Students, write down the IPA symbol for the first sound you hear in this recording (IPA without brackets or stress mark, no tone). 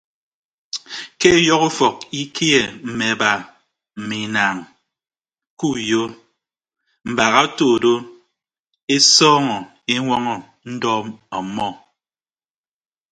k